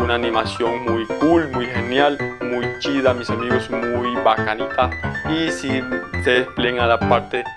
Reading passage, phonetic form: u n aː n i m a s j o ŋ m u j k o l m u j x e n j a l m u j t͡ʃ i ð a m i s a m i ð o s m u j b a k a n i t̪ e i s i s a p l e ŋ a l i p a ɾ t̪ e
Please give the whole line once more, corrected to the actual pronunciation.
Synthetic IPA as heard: u n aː n i m a s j o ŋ m u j k u l m u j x e n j a l m u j t͡ʃ i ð a m i s a m i ɣ o s m u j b a k a n i t̪ a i s i s e p l e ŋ a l a p a ɾ t̪ e